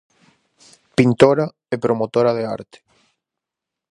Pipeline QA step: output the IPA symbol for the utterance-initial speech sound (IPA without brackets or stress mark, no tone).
p